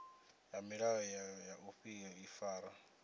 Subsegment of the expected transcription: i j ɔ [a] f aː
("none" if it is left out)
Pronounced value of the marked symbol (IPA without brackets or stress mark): i